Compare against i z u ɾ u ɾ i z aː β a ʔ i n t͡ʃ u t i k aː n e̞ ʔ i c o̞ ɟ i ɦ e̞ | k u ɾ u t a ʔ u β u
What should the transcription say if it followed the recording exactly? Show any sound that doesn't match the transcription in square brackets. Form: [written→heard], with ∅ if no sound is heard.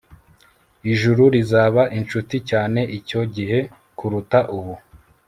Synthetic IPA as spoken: i [z→ʒ] u ɾ u ɾ i z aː β a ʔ i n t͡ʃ u t i [k→c] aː n e̞ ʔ i c o̞ ɟ i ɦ e̞ | k u ɾ u t a ʔ u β u

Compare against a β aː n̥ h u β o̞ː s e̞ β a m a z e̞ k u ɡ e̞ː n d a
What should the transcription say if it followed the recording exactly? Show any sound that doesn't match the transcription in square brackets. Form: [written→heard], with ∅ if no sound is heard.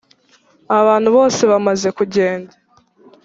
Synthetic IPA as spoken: a β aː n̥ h u β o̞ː s e̞ β a m a z e̞ k u [ɡ→ɟ] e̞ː n d a

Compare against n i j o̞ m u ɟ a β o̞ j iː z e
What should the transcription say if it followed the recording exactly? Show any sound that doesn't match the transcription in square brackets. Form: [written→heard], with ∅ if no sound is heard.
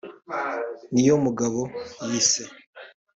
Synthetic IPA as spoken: n i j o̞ m u [ɟ→ɡ] a β o̞ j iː [z→s] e

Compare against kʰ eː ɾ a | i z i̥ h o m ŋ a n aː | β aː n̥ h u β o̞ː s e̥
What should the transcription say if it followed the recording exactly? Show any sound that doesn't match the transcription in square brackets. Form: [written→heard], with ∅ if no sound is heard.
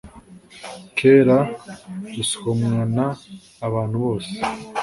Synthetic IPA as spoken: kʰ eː ɾ a | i [z→s] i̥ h o m ŋ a n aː | β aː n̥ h u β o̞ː s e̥

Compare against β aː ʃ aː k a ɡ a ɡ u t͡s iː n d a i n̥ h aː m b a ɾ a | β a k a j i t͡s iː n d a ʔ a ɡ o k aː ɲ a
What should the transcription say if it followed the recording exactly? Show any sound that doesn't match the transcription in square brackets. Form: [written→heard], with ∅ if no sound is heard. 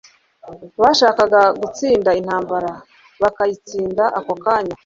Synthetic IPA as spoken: β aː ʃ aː k a ɡ a ɡ u t͡s iː n d a i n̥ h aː m b a ɾ a | β a k a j i t͡s iː n d a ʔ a [ɡ→k] o k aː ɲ a

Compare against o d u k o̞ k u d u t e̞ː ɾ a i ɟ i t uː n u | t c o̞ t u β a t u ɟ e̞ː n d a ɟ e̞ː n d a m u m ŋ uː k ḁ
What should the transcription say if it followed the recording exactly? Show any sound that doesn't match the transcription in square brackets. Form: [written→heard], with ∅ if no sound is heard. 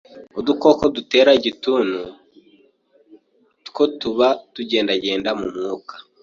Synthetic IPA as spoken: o d u k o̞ k [u→o] d u t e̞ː ɾ a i ɟ i t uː n u | t [c→k] o̞ t u β a t u ɟ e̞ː n d a ɟ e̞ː n d a m u m ŋ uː k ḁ

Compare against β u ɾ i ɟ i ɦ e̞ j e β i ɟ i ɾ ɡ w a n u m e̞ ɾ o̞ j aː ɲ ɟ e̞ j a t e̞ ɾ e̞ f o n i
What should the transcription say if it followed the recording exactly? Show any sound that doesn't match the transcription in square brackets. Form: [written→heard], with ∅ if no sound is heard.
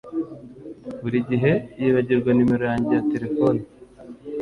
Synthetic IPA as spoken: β u ɾ i ɟ i ɦ e̞ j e β [i→a] ɟ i ɾ ɡ w a n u m e̞ ɾ o̞ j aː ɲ ɟ e̞ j a t e̞ ɾ e̞ f o n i

